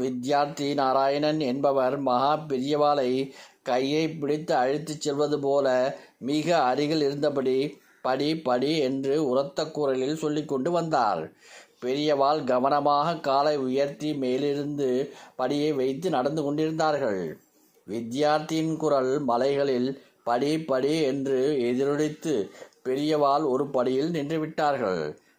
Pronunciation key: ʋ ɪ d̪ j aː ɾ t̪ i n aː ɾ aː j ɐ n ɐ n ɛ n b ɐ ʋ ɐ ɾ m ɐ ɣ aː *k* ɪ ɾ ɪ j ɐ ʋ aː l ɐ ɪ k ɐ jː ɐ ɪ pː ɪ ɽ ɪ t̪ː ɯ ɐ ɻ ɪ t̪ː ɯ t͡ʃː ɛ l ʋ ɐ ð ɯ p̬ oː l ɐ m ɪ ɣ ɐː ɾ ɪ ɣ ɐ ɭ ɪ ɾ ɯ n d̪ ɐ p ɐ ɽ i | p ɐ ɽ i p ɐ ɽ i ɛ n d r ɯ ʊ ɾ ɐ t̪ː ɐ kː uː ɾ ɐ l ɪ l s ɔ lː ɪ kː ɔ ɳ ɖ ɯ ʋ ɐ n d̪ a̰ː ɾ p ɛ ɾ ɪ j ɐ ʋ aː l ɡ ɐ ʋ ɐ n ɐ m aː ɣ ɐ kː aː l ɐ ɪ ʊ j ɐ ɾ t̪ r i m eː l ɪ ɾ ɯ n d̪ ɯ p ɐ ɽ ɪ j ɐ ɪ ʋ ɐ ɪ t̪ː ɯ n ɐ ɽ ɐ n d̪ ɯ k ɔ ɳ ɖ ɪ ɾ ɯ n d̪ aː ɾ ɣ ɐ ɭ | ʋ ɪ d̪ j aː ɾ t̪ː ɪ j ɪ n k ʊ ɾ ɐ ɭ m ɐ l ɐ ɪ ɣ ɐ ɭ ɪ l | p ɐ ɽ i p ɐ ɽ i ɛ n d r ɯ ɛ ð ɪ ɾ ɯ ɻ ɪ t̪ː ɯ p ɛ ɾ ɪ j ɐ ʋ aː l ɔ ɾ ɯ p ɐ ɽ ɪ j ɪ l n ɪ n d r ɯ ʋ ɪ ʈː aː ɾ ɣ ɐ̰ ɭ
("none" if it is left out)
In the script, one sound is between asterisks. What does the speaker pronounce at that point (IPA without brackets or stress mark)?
p